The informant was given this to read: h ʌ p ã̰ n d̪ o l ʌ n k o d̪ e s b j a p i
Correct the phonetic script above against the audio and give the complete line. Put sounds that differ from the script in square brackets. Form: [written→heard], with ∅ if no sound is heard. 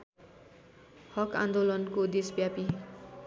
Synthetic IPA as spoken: h ʌ [p→k] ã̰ n d̪ o l ʌ n k o d̪ e s b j a p i